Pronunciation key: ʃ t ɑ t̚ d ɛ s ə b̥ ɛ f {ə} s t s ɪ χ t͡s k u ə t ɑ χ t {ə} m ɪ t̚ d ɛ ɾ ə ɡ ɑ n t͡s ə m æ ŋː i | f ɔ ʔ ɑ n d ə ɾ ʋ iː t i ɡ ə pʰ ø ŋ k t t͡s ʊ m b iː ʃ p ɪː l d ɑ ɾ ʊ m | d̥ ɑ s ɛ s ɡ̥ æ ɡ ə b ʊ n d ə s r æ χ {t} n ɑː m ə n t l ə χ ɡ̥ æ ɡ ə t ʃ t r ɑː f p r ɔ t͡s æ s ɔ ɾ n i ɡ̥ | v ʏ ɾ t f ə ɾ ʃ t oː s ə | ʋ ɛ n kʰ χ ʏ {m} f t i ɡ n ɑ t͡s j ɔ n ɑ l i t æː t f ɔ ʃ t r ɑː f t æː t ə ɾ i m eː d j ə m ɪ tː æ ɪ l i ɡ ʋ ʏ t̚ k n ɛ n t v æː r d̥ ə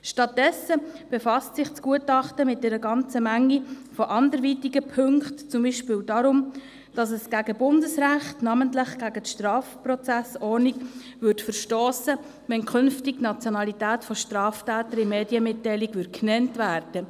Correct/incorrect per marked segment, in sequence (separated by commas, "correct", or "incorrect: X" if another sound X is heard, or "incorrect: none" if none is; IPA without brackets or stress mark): incorrect: ɑ, correct, correct, incorrect: n